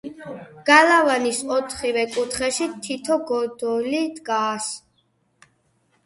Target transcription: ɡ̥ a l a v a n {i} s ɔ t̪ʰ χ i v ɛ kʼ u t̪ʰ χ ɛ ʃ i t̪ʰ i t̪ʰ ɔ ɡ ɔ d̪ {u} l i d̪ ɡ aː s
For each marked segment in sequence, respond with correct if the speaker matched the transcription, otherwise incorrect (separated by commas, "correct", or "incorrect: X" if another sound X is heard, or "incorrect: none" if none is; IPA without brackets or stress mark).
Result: correct, incorrect: ɔ